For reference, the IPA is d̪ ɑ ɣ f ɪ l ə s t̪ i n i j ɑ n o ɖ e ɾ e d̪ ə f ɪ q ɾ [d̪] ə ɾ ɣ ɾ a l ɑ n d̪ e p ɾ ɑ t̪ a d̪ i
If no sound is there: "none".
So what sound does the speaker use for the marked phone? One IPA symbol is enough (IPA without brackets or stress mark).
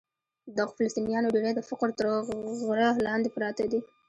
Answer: t̪